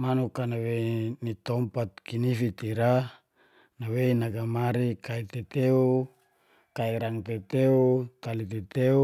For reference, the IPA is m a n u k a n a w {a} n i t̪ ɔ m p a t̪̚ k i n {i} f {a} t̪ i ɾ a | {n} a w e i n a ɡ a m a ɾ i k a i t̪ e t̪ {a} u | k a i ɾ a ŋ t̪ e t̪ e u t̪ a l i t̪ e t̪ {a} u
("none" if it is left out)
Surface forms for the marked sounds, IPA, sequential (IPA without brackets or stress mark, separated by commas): e, i, i, n, e, e